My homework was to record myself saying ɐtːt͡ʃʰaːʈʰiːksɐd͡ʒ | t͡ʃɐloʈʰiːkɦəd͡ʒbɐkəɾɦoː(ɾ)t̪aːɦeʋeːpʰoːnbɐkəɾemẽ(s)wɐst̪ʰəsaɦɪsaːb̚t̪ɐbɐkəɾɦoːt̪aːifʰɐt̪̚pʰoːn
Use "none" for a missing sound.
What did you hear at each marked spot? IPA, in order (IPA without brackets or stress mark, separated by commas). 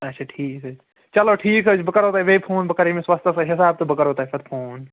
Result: none, s